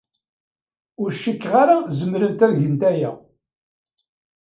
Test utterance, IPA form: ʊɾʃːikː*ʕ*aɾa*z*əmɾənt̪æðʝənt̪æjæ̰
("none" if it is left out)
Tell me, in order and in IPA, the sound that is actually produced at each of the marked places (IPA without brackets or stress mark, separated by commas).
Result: ʁ, z